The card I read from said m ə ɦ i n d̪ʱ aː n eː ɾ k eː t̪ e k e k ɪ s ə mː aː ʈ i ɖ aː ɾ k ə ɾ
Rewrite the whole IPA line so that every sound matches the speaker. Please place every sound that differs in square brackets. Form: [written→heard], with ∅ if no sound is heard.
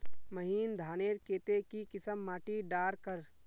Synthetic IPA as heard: m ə ɦ [i→iː] n d̪ʱ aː n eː ɾ k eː t̪ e k [e→i] k ɪ s ə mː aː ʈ i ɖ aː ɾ k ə ɾ